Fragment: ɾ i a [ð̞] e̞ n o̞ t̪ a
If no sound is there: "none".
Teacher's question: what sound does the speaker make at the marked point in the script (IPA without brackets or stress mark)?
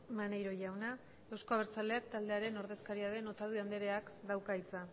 ð̞